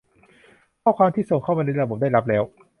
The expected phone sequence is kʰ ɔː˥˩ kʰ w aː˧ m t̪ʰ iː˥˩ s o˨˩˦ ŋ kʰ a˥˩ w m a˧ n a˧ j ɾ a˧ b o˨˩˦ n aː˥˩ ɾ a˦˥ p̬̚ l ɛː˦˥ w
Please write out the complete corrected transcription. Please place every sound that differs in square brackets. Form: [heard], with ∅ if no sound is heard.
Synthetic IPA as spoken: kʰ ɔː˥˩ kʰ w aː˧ m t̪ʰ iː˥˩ s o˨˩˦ ŋ kʰ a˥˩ w m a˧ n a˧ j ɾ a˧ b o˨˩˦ [d] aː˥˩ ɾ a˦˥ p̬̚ l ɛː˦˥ w